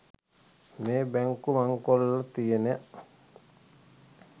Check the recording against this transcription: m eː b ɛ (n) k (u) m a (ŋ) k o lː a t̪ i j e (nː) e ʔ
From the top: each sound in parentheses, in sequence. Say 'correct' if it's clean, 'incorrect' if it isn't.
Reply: incorrect, correct, correct, incorrect

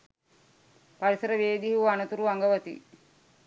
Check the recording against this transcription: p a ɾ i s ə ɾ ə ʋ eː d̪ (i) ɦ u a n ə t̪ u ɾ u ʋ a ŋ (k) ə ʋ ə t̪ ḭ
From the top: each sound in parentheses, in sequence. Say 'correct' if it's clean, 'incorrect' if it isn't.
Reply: correct, incorrect

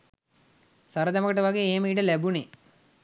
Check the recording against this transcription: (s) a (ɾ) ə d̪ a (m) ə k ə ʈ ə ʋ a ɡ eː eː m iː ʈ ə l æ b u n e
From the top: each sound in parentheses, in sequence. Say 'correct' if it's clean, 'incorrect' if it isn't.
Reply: correct, correct, correct

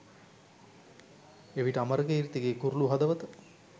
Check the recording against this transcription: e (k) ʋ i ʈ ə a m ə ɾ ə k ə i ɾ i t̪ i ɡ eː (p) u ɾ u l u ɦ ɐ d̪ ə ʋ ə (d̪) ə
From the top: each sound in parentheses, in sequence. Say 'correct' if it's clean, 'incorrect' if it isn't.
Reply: incorrect, incorrect, incorrect

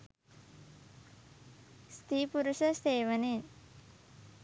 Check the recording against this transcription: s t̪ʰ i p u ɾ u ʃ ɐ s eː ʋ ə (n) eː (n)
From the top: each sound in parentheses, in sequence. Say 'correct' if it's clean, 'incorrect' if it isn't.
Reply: correct, correct

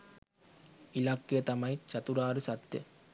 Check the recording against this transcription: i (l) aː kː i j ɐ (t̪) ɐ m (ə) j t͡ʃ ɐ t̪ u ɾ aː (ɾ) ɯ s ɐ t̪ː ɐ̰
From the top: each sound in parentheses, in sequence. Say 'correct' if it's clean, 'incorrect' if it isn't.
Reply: correct, correct, incorrect, correct

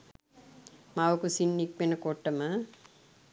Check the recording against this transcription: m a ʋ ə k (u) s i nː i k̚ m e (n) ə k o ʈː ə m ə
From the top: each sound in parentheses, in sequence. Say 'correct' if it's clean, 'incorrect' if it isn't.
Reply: correct, correct

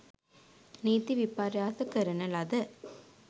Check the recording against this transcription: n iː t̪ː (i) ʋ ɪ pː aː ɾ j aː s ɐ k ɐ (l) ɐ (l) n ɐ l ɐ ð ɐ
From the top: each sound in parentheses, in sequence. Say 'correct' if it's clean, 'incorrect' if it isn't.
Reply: correct, incorrect, incorrect

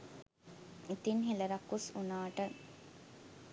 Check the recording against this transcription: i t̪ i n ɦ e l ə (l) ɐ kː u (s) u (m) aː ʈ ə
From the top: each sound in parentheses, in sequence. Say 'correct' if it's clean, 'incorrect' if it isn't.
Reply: incorrect, correct, incorrect

